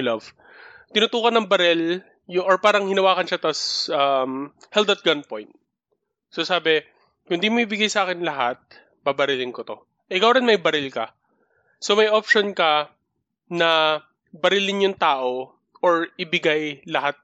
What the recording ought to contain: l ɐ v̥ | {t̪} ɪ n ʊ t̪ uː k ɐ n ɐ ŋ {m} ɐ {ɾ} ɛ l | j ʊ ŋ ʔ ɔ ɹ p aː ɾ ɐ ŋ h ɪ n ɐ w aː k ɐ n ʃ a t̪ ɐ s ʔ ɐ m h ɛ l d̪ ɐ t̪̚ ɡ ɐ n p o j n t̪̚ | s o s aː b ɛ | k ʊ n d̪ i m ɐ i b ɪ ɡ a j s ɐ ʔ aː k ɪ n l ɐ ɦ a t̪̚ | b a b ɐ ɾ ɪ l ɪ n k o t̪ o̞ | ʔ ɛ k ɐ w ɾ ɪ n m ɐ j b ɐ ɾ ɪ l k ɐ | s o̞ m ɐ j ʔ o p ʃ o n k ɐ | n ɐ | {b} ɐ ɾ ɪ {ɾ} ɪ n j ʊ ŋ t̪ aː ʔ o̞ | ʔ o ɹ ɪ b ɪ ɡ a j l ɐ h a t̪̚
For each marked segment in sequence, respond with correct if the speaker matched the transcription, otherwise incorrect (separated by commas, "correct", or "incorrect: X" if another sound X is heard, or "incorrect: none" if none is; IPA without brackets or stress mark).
correct, incorrect: b, correct, correct, incorrect: l